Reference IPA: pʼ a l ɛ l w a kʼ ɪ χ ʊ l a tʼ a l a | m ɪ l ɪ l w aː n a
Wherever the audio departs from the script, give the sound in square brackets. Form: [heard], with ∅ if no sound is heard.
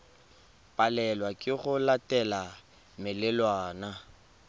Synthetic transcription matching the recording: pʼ a l ɛ l w a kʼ ɪ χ ʊ l a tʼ [ɛ] l a | m ɪ l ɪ l w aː n a